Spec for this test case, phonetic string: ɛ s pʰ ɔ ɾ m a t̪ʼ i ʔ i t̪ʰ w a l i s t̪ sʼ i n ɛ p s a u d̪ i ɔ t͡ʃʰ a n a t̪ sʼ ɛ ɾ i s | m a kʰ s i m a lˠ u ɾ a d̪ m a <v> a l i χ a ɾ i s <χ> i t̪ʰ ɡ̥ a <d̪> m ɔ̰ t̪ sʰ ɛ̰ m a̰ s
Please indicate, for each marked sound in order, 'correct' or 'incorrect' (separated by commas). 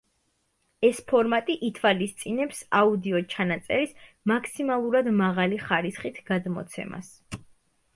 incorrect, correct, correct